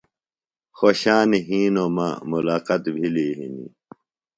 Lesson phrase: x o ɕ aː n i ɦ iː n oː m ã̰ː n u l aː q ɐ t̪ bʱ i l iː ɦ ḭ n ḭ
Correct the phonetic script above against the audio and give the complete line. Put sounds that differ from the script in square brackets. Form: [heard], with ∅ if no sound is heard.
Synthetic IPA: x o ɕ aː n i ɦ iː n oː m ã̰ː [m] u l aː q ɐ t̪ bʱ i l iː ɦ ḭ n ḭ